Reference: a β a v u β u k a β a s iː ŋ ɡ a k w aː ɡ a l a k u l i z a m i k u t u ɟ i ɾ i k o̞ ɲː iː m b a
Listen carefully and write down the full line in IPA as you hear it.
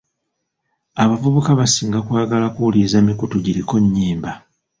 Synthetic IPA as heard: a β a v u β u k a β a s iː ŋ ɡ a k w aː ɡ a l a k u l i z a m i k u t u ɟ i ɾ i k o̞ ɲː iː m b a